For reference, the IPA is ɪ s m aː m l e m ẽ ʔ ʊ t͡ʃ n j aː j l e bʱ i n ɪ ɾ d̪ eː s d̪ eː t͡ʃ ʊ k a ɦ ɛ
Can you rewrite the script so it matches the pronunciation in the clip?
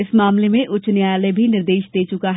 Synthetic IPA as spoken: ɪ s m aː m l e m ẽ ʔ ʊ t͡ʃ n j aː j l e bʱ i n ɪ ɾ d̪ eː ʃ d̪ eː t͡ʃ ʊ k a ɦ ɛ